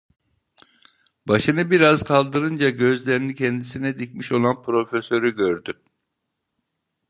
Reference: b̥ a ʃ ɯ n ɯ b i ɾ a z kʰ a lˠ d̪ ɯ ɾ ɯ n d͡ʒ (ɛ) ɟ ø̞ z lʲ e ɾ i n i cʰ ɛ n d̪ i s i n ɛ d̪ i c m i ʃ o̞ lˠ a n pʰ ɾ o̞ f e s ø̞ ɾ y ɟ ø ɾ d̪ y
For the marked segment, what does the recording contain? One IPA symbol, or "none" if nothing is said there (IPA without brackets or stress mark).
a